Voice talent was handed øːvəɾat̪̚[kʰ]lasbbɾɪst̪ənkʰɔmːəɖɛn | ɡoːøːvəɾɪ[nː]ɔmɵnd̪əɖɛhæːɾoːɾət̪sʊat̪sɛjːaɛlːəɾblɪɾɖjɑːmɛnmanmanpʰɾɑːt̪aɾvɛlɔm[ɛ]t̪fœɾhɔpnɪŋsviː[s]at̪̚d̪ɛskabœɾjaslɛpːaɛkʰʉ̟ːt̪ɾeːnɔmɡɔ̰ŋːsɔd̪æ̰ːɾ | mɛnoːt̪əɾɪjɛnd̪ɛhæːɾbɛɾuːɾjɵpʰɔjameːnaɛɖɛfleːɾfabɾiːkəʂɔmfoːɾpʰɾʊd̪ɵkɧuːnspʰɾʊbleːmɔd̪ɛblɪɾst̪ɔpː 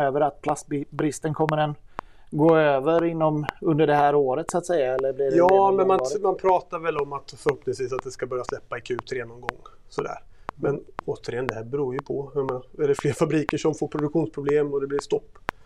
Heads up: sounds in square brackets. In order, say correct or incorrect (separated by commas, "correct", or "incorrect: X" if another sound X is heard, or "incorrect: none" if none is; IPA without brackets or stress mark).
incorrect: pʰ, correct, incorrect: a, correct